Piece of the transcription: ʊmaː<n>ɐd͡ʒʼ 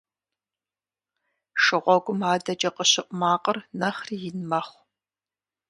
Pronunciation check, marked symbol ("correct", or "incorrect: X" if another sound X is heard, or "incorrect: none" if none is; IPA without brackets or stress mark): incorrect: d